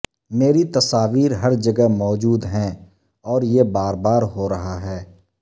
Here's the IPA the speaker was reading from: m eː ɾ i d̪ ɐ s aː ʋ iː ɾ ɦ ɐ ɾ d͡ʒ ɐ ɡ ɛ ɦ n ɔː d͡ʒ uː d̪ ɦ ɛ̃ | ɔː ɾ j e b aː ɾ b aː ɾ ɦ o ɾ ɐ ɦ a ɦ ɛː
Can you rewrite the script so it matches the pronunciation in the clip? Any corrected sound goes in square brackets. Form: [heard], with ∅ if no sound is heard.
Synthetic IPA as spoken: m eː ɾ i [t̪] ɐ s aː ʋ iː ɾ ɦ ɐ ɾ d͡ʒ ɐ ɡ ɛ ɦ [m] ɔː d͡ʒ uː d̪ ɦ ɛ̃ | ɔː ɾ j e b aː ɾ b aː ɾ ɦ o ɾ ɐ ɦ a ɦ ɛː